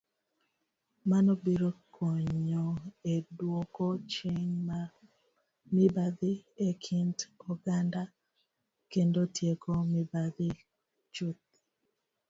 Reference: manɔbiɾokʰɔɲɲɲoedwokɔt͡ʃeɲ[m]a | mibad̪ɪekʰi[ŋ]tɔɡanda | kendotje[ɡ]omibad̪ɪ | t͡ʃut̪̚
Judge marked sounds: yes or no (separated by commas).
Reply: yes, no, no